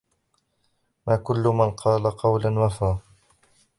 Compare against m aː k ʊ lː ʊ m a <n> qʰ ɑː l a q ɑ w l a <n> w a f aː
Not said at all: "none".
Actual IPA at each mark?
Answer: n, n

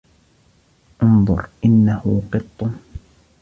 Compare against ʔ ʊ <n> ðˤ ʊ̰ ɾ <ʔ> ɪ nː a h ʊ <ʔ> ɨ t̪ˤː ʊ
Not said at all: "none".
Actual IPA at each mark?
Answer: n, ʔ, q

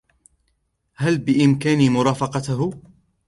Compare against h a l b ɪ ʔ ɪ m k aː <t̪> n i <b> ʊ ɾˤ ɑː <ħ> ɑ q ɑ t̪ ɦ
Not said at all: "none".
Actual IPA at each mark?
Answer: none, m, f

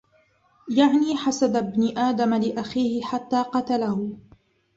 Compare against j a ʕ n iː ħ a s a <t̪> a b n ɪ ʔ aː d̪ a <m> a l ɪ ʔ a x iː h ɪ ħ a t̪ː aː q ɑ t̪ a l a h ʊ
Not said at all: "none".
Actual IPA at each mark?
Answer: d̪, m

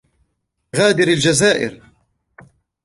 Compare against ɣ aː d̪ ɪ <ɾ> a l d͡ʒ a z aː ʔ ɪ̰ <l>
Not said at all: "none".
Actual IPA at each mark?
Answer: ɾ, ɾ

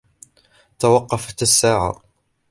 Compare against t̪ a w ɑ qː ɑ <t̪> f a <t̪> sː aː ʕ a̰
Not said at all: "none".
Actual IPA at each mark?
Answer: none, t̪

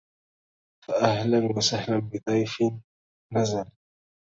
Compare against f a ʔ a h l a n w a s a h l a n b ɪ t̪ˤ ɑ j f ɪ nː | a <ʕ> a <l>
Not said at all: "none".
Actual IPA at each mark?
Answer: z, l

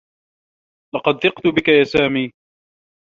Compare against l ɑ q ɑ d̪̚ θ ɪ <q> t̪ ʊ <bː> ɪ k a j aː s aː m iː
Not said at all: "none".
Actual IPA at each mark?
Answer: q, b

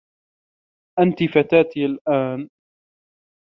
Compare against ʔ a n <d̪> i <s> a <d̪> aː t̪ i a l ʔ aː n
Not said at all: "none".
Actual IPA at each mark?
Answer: t̪, f, t̪

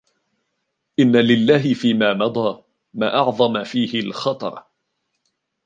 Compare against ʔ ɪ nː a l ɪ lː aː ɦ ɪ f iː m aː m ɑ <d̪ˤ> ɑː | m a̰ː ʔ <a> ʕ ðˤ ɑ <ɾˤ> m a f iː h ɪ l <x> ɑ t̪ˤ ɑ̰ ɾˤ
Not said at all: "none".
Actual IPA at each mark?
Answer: d̪ˤ, ɑ, none, x

